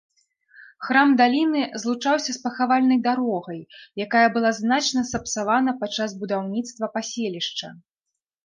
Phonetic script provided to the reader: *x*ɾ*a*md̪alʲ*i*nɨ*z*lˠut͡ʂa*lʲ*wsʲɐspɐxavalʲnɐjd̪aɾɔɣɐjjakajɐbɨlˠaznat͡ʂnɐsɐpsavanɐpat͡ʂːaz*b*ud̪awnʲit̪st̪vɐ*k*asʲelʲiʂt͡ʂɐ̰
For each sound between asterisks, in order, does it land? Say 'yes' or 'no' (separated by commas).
yes, yes, yes, yes, no, yes, no